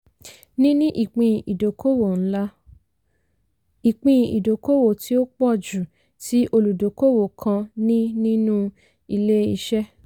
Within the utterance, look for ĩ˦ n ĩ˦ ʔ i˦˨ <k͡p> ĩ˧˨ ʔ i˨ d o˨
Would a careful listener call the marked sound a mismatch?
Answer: no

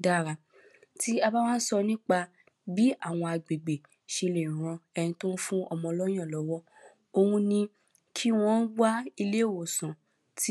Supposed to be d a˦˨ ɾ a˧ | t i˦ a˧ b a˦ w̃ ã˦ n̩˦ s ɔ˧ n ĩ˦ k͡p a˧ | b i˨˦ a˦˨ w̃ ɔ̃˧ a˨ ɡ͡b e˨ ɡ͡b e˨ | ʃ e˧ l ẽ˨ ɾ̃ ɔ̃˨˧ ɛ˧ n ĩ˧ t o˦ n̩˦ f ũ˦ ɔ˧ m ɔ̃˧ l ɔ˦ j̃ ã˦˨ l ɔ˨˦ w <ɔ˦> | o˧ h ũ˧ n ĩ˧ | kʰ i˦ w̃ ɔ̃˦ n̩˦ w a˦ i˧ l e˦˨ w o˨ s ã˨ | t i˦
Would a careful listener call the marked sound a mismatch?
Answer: no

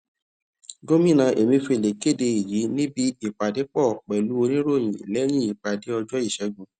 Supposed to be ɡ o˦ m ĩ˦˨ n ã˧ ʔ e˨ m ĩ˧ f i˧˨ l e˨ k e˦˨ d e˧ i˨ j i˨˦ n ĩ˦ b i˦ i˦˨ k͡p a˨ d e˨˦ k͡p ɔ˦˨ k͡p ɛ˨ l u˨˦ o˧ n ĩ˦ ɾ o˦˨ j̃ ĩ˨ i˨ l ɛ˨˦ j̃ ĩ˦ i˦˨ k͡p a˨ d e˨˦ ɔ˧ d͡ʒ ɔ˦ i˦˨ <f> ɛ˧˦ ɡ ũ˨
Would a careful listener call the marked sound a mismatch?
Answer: yes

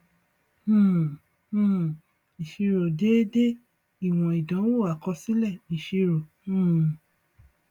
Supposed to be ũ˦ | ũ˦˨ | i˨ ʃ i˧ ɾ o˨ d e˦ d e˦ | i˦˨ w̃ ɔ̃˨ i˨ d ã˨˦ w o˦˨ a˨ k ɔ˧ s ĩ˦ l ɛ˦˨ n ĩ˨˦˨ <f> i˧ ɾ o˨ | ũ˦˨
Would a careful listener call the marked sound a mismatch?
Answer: yes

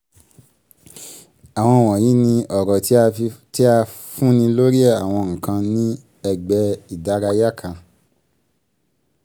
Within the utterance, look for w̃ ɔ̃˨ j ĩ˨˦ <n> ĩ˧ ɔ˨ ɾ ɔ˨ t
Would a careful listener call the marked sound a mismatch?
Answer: no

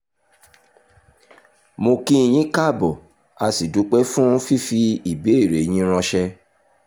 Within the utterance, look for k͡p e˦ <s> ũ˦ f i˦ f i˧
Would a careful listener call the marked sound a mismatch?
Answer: yes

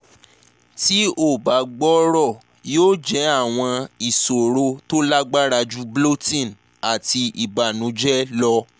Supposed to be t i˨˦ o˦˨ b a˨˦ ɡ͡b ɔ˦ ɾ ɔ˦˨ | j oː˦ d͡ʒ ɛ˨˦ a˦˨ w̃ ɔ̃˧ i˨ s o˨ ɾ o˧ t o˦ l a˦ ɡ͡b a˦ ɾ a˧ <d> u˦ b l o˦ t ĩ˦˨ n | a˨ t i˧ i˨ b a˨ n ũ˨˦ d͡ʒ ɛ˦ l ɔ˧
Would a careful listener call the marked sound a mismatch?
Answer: yes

